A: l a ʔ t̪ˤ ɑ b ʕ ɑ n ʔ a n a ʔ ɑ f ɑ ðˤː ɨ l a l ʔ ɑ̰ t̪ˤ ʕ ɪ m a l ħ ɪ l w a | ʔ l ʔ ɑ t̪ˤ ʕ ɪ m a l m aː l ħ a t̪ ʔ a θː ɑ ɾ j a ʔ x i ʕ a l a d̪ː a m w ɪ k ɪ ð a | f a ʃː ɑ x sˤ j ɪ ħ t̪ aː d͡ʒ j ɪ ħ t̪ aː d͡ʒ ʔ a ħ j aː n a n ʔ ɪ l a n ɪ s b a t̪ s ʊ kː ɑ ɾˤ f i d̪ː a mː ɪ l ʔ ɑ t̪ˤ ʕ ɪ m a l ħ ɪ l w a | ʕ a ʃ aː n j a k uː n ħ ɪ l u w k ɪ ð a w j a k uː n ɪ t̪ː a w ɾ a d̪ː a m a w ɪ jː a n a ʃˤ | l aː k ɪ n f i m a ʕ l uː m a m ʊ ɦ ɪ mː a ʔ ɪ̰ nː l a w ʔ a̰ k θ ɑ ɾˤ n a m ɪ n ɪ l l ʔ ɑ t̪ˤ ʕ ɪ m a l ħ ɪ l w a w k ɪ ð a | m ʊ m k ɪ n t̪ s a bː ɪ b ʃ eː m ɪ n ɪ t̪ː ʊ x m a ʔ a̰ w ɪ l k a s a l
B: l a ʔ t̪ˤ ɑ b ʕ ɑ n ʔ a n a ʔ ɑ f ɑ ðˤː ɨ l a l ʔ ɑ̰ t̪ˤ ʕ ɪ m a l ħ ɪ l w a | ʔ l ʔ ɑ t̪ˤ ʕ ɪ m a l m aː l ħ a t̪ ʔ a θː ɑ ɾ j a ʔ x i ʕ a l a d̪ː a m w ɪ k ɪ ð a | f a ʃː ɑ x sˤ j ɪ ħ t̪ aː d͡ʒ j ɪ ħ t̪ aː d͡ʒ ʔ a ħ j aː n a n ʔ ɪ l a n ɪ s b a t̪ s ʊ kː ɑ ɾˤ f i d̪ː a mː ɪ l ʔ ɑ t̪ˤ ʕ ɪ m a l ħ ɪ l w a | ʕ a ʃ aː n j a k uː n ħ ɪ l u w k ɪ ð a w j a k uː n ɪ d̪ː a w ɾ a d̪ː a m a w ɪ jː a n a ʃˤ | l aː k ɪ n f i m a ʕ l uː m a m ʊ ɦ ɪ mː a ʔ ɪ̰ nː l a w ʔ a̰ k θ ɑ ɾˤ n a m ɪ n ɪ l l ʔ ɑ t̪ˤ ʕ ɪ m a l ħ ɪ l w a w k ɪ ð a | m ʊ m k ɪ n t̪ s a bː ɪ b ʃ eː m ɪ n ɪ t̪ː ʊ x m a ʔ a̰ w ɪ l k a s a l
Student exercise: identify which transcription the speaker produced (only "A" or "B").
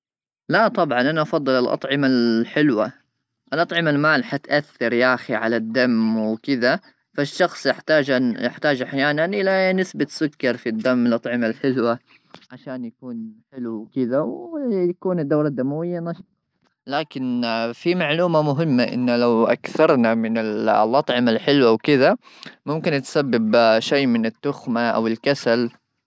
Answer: B